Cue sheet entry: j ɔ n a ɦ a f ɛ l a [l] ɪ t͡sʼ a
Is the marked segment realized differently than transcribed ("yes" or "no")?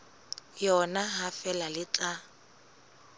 no